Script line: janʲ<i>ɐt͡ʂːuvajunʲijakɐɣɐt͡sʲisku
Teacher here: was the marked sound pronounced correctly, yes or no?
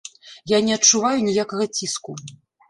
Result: no